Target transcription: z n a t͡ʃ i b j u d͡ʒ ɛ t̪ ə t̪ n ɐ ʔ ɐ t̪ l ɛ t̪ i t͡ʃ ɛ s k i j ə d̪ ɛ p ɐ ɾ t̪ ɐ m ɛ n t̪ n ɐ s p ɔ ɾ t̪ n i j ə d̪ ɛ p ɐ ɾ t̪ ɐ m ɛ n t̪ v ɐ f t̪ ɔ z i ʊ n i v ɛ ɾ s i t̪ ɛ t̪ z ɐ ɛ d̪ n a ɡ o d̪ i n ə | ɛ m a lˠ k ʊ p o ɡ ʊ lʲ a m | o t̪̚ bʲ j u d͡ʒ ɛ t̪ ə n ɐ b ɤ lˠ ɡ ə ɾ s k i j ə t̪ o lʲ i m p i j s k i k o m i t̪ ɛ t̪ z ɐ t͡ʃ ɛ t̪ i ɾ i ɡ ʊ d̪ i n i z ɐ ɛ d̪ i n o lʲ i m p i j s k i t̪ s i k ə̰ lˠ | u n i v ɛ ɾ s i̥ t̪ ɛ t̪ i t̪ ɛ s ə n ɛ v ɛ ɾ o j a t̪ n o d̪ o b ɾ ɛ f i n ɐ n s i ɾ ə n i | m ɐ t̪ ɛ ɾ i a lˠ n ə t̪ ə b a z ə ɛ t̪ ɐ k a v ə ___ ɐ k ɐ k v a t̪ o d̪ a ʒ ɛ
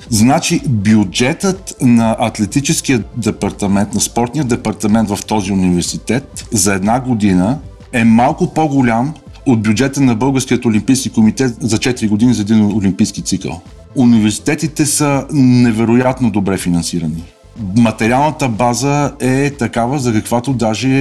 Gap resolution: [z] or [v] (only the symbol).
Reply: z